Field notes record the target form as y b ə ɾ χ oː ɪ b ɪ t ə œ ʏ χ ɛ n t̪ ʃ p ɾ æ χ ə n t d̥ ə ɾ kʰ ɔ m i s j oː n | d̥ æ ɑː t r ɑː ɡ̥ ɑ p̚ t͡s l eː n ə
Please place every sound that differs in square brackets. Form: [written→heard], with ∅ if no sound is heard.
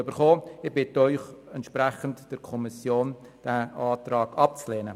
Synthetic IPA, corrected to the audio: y b ə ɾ χ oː ɪ b ɪ t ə œ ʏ χ ɛ n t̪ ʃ p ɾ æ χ ə n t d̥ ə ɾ kʰ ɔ m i s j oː n | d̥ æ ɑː t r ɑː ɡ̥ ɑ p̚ t͡s l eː n ə